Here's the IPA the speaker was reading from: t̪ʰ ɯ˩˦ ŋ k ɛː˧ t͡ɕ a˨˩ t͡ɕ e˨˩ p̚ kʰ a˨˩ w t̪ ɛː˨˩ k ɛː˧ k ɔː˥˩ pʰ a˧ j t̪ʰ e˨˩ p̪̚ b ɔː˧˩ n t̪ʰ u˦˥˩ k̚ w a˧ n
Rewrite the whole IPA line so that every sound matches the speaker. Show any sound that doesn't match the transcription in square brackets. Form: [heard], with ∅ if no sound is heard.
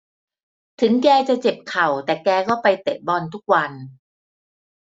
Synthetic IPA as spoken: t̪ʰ ɯ˩˦ ŋ k ɛː˧ t͡ɕ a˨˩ t͡ɕ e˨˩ p̚ kʰ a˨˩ w t̪ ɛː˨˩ k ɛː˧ k ɔː˥˩ [p] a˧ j [t̪] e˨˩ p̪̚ b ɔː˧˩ n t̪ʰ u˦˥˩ k̚ w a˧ n